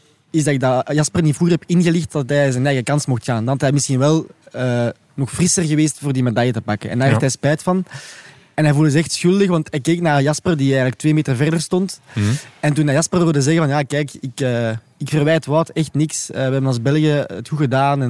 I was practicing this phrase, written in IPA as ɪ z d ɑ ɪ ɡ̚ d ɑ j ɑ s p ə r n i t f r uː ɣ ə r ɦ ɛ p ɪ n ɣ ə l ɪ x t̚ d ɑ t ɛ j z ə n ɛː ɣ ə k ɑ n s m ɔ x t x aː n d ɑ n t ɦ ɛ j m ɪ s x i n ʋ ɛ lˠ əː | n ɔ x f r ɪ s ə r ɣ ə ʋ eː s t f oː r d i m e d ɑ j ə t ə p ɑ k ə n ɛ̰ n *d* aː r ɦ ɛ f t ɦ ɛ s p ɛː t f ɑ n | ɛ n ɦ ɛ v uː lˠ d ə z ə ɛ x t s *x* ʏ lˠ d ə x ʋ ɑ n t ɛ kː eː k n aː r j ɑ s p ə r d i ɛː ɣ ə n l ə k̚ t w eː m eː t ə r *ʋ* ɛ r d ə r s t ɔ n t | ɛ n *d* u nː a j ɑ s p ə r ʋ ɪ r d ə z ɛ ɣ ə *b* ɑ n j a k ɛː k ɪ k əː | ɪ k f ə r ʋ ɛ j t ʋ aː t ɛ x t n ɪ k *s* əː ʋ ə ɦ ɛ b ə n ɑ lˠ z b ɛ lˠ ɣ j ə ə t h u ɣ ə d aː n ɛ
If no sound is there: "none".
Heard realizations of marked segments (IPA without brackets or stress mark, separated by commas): d, x, v, t, v, s